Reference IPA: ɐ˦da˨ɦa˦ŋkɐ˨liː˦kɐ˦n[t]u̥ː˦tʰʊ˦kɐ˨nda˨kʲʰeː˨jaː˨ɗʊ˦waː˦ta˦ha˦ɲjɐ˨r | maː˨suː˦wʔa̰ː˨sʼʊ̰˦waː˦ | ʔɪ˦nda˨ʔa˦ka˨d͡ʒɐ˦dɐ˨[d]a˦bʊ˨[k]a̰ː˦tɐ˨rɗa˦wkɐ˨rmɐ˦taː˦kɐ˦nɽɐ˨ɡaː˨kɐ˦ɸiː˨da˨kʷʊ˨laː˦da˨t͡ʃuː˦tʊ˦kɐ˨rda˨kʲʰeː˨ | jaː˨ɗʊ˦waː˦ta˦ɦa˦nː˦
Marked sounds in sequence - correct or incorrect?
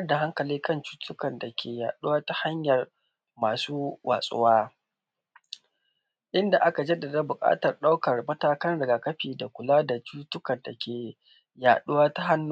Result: incorrect, correct, incorrect

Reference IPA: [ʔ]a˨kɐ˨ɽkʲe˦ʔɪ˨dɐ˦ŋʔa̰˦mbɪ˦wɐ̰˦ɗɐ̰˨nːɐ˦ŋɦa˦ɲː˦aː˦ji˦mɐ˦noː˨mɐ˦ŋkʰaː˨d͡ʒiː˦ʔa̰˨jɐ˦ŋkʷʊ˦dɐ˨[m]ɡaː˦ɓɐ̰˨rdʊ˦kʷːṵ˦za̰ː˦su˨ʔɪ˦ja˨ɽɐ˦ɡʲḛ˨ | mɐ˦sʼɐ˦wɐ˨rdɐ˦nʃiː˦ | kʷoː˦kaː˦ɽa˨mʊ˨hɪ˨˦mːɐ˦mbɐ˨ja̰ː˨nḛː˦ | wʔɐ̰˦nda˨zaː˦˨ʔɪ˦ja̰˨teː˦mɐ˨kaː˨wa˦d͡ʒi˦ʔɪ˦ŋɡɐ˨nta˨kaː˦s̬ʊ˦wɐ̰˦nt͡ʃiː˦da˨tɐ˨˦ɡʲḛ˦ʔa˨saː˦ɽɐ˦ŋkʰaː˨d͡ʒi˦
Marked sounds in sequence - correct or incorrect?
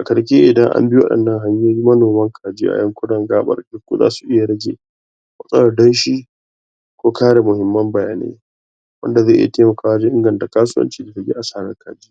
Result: correct, incorrect

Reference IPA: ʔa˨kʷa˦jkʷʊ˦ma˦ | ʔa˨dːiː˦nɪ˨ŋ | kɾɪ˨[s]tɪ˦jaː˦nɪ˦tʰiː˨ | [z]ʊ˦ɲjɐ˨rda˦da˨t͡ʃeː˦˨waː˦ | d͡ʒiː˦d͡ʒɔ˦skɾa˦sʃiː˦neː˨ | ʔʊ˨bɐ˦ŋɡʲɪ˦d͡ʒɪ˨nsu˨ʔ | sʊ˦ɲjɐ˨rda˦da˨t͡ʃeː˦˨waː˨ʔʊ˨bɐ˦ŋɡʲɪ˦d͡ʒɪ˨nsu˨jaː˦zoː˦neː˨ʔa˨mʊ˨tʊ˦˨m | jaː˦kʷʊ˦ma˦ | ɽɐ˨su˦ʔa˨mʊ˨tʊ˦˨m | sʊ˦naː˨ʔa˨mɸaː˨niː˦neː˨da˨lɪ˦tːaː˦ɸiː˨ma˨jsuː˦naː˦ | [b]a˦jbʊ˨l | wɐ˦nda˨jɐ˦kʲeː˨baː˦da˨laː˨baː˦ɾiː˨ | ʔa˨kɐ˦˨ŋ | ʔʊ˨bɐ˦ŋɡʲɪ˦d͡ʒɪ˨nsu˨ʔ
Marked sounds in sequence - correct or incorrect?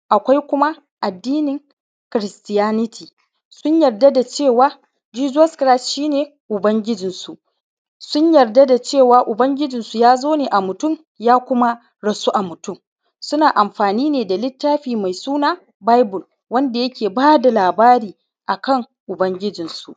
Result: correct, incorrect, correct

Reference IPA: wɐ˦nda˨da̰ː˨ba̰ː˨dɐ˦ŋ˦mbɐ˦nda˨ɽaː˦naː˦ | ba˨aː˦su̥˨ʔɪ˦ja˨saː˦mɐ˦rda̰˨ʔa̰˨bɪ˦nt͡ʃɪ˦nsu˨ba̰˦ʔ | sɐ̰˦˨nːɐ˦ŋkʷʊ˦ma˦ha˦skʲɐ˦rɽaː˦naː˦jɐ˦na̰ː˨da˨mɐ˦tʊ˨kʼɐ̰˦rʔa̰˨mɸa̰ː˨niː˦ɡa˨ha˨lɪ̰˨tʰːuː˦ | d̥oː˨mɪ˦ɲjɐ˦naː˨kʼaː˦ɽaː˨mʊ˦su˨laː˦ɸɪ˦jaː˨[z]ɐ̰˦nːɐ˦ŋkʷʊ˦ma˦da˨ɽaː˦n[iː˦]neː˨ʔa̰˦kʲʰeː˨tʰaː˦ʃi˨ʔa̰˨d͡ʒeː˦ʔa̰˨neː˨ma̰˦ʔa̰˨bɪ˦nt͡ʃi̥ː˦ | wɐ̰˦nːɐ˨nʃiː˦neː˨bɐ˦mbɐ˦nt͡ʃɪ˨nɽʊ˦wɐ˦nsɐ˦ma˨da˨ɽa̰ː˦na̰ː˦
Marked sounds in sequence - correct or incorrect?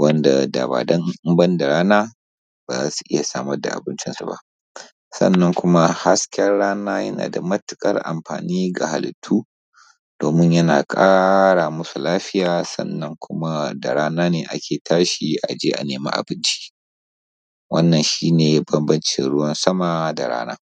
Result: incorrect, incorrect

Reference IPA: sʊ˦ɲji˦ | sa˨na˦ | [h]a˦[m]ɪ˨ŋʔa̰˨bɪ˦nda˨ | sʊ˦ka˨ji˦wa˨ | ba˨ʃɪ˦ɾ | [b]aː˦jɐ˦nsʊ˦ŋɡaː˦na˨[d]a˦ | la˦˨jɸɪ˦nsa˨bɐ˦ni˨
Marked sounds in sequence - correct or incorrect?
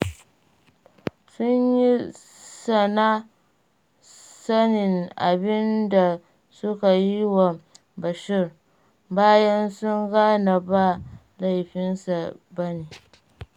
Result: incorrect, incorrect, correct, incorrect

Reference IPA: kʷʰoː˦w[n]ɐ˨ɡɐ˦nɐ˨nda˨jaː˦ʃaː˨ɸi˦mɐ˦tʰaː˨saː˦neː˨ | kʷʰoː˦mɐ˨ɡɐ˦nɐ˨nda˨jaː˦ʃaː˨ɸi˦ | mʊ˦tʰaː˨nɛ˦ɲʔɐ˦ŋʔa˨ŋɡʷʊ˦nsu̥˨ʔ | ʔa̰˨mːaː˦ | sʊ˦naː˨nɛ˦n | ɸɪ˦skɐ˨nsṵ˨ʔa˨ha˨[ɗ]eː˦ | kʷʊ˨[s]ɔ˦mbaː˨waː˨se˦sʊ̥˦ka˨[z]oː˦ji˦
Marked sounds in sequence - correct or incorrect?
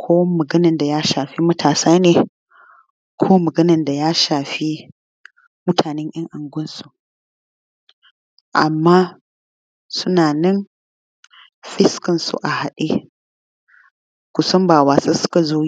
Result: incorrect, correct, correct, correct

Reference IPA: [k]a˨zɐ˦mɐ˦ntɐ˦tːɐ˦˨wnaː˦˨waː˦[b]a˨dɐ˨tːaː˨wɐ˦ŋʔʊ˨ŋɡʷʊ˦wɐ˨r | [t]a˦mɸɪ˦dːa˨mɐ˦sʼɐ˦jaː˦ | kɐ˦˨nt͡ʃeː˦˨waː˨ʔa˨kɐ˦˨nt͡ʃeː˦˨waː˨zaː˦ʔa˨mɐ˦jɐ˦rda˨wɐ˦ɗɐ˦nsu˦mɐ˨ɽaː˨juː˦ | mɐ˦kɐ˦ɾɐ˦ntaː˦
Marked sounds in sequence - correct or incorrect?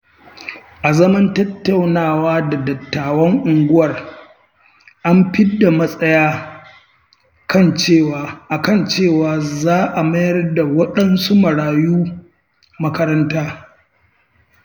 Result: incorrect, incorrect, incorrect

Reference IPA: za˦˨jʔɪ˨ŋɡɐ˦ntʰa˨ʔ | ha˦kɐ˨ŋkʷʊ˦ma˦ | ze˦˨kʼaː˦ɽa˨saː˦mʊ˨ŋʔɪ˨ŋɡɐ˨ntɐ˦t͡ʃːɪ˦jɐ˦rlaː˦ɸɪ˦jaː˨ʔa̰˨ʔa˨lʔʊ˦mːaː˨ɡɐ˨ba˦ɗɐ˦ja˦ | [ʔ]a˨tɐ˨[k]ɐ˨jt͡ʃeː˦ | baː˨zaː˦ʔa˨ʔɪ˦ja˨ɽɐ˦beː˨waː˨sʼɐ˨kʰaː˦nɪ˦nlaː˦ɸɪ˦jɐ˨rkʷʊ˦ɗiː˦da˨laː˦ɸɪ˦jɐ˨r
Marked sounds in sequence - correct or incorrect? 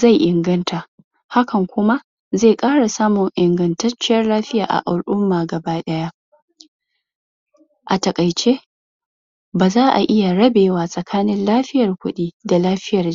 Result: correct, incorrect

